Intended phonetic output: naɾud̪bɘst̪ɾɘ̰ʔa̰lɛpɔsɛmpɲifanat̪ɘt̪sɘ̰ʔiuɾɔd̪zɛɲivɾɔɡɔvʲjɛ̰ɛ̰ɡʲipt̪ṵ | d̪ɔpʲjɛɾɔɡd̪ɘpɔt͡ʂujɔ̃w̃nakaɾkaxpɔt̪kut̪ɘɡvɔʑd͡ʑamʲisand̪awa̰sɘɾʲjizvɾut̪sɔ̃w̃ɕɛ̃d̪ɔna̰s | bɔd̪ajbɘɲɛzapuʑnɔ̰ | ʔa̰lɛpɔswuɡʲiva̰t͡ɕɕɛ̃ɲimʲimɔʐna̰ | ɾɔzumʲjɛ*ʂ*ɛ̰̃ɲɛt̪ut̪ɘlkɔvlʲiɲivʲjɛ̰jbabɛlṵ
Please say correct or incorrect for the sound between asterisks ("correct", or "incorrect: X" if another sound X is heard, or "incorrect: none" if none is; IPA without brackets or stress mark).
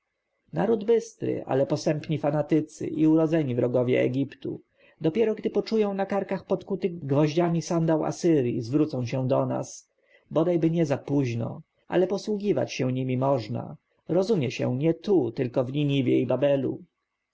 incorrect: ɕ